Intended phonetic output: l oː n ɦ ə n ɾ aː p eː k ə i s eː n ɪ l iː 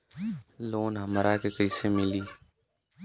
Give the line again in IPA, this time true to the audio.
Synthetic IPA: l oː n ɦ ə m ɾ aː k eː k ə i s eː m ɪ l iː